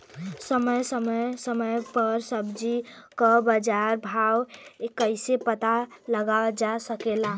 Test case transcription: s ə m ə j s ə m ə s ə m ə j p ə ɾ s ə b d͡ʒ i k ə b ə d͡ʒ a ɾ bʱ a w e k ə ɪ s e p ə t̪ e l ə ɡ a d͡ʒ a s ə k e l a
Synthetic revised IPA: s ə m ə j s ə m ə s ə m ə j p ə ɾ s ə b d͡ʒ i k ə b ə d͡ʒ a ɾ bʱ a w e k ə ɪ s e p ə t̪ a l ə ɡ a d͡ʒ a s ə k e l a